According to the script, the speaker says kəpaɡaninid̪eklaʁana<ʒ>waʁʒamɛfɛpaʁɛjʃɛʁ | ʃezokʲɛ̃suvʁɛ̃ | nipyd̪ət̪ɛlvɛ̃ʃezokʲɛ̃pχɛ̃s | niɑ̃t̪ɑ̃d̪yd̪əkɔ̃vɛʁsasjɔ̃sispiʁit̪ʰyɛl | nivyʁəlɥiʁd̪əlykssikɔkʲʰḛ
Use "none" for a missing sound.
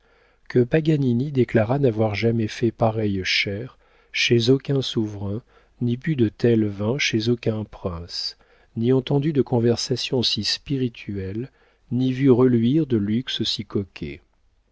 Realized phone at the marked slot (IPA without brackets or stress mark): v